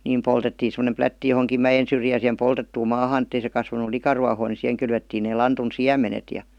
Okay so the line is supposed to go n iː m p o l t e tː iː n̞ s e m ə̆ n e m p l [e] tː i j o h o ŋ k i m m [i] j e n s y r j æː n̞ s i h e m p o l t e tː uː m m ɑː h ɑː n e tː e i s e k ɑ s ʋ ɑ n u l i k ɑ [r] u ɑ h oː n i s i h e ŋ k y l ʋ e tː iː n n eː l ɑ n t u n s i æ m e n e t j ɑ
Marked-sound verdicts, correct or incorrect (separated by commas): incorrect, incorrect, correct